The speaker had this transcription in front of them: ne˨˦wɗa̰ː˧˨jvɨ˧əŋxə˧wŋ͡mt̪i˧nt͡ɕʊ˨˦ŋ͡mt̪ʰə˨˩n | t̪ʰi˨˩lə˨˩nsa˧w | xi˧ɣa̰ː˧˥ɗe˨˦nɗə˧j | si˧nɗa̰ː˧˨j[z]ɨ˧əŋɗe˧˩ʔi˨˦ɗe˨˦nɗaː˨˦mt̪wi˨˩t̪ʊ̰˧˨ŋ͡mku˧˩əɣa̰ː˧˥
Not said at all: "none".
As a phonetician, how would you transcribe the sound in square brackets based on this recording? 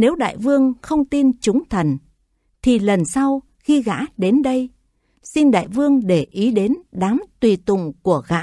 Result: v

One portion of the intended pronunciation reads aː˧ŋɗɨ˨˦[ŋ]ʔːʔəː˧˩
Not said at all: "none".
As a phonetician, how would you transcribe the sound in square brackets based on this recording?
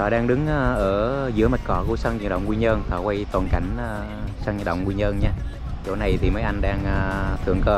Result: ŋ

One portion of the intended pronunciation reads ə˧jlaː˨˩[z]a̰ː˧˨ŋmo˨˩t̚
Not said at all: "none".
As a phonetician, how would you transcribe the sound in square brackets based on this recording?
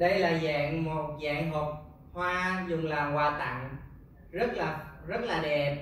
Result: z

